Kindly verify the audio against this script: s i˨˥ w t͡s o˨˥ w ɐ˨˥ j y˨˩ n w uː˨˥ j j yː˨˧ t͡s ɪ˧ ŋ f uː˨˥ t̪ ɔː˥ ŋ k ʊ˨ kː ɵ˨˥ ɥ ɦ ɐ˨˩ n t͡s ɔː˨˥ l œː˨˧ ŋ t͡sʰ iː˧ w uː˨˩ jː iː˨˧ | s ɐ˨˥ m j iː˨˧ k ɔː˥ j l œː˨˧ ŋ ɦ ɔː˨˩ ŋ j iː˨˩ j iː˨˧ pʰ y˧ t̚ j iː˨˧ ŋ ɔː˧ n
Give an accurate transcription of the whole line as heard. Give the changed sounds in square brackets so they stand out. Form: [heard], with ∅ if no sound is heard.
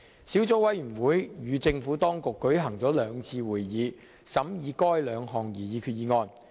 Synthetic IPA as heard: s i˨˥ w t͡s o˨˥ w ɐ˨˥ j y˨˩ n w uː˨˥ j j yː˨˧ t͡s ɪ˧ ŋ f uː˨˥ t̪ ɔː˥ ŋ k ʊ˨ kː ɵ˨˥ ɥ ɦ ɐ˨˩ [ŋ] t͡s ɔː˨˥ l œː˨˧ ŋ t͡sʰ iː˧ w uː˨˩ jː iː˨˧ | s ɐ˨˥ m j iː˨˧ k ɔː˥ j l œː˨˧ ŋ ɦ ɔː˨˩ ŋ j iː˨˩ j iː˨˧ [kʰ] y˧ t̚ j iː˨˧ ŋ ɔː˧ n